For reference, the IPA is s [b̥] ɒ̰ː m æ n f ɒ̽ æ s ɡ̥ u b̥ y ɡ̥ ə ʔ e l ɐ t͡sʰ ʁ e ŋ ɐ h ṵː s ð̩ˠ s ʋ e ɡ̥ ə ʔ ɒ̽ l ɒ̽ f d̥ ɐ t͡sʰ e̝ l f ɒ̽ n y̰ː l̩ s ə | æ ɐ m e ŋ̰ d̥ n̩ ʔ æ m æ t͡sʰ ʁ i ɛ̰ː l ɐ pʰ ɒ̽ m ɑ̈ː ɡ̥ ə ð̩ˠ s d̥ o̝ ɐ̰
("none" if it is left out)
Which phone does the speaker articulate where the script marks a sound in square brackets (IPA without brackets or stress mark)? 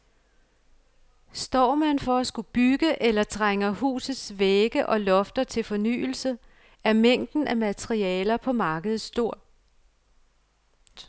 d̥